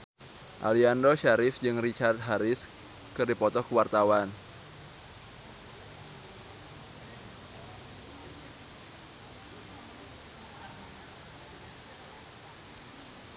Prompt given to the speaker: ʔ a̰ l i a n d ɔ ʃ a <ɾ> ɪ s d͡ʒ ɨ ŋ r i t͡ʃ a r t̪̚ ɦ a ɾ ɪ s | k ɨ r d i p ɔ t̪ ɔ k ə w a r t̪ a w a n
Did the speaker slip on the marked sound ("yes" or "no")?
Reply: no